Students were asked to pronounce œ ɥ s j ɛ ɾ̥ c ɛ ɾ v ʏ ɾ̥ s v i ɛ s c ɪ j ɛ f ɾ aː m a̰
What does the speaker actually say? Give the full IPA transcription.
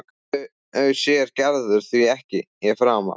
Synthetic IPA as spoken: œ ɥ s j ɛ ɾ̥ c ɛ ɾ ð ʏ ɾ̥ θ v i ɛ h c ɪ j ɛ f ɾ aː m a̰